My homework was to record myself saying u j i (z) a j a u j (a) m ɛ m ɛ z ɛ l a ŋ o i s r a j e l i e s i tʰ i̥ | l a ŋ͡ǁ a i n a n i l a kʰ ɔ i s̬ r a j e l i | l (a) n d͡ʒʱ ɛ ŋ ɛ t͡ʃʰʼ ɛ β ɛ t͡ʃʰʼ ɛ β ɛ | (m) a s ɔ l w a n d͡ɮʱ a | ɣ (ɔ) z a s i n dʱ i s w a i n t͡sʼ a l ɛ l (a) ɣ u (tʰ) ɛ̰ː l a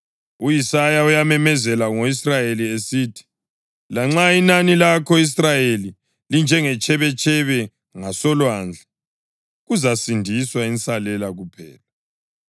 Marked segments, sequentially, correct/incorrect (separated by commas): incorrect, correct, incorrect, incorrect, incorrect, correct, incorrect